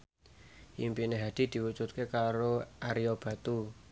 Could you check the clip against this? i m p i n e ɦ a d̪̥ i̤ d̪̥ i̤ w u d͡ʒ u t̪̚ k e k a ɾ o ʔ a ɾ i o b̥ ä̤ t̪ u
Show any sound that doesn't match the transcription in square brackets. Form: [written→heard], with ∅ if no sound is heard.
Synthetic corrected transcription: i m p i n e ɦ a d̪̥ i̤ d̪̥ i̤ w u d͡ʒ u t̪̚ k e k a ɾ o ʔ a ɾ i o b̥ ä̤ t̪ u